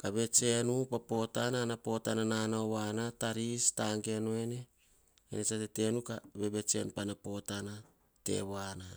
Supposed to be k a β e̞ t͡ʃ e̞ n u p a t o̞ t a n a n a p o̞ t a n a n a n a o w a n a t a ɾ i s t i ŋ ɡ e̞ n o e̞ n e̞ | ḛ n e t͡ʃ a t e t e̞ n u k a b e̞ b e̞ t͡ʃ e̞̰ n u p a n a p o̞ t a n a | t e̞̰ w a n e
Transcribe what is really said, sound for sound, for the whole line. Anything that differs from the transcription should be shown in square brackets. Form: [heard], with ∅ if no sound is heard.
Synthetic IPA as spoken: k a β e̞ t͡ʃ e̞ n u p a [p] o̞ t a n a n a p o̞ t a n a n a n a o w a n a t a ɾ i s t [a] ŋ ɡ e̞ n o e̞ n e̞ | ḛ n e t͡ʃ a t e t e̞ n u k a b e̞ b e̞ t͡ʃ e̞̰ n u p a n a p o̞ t a n a | t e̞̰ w a n [a]